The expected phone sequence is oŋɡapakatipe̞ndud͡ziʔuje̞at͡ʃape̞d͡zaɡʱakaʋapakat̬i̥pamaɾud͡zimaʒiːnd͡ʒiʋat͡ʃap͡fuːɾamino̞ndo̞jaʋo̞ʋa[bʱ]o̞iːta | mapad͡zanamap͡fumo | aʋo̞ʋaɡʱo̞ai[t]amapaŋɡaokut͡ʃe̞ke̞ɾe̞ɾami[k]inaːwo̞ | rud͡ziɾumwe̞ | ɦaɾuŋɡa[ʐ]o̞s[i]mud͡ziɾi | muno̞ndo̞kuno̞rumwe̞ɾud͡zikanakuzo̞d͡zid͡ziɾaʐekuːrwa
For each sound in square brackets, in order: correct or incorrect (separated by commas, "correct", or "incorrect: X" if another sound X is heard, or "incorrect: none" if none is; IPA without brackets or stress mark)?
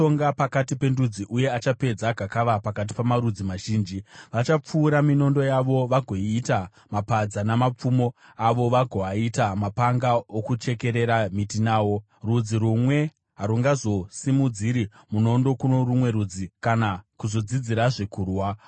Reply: incorrect: ɡʱ, correct, incorrect: t, incorrect: z, correct